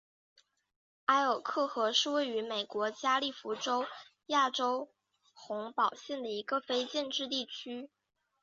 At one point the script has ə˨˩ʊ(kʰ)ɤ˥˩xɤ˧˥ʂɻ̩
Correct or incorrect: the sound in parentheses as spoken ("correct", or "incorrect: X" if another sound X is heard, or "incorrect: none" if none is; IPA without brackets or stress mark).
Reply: correct